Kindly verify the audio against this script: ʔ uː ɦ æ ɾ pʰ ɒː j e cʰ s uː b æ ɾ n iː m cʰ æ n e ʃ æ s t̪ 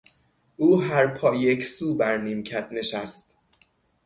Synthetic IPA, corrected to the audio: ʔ uː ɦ æ ɾ pʰ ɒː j e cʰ s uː b æ ɾ n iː m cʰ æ n e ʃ æ s t̪